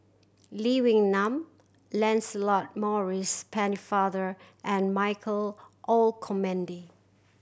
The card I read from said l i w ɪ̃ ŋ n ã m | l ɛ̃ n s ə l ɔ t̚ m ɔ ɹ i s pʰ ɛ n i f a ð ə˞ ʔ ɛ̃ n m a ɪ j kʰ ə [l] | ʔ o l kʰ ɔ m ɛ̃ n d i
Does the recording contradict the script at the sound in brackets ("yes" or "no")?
no